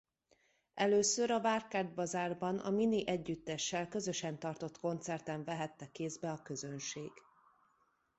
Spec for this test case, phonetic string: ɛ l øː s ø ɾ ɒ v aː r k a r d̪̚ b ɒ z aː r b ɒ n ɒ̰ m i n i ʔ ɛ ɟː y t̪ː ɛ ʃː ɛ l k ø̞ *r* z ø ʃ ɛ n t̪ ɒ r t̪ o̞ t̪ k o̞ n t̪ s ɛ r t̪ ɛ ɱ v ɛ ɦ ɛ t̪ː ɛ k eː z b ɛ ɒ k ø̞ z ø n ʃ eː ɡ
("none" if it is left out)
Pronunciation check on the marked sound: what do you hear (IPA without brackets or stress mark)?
none